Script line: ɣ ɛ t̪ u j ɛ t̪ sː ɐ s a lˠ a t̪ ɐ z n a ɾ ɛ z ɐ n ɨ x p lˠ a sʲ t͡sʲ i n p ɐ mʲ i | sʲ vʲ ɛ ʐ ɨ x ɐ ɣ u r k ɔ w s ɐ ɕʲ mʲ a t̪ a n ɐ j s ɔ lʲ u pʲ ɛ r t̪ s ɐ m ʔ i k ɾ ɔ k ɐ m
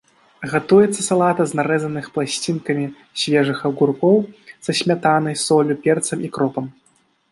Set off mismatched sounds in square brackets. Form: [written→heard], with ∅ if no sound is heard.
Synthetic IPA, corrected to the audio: ɣ [ɛ→a] t̪ u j ɛ t̪ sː ɐ s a lˠ a t̪ ɐ z n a ɾ ɛ z ɐ n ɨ x p lˠ a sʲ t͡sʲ i n [p→k] ɐ mʲ i | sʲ vʲ ɛ ʐ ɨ x ɐ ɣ u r k ɔ w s ɐ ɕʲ mʲ a t̪ a n ɐ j s ɔ lʲ u pʲ ɛ r t̪ s ɐ m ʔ i k ɾ ɔ [k→p] ɐ m